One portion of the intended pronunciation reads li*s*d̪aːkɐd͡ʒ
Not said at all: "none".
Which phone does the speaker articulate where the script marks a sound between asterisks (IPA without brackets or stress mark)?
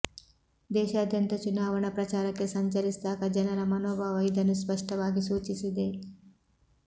s